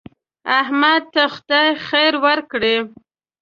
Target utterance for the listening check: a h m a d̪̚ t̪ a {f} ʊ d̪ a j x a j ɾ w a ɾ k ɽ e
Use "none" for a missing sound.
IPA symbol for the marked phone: x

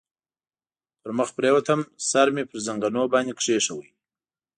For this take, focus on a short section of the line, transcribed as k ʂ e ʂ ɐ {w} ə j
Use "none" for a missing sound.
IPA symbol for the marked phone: w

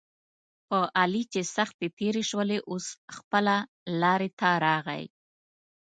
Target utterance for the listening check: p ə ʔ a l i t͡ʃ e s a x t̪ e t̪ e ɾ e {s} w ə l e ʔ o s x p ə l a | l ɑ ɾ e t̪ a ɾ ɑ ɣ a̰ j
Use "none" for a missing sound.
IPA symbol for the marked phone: ʃ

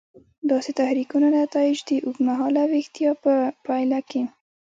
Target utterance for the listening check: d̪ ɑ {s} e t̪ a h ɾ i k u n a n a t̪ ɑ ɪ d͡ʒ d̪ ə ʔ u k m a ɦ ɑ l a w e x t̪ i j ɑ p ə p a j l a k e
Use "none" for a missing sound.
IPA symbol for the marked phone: s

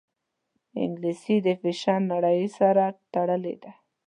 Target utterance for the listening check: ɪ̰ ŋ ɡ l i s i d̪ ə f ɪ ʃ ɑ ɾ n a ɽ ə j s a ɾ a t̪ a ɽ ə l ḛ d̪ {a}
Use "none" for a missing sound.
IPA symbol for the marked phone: a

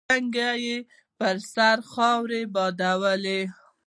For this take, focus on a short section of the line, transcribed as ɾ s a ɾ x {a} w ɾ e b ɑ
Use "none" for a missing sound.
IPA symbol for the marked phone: ɑ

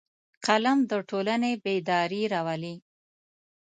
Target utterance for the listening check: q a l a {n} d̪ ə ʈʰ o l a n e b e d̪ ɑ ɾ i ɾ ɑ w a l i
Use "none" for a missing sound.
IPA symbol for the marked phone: m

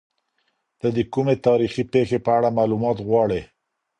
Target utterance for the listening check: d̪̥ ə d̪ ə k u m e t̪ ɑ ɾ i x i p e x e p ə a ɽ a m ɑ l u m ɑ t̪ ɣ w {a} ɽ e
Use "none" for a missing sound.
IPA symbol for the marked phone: ɑ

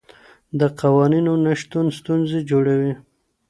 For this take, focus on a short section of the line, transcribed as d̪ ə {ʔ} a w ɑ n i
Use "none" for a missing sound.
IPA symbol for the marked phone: q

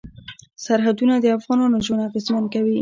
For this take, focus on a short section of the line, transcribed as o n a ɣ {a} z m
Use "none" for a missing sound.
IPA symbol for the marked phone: e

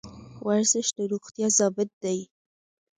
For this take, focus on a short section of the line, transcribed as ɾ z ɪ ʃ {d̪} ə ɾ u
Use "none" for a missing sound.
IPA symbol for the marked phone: d̪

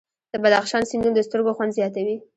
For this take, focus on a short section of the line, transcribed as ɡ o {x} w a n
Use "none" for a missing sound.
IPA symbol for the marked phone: x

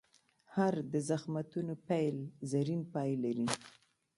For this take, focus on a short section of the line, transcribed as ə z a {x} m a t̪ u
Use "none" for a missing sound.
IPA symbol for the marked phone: x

